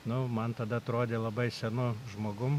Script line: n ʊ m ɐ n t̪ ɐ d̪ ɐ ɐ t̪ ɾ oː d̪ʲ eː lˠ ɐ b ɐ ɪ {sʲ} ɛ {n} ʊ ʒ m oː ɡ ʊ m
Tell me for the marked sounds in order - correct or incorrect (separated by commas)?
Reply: correct, correct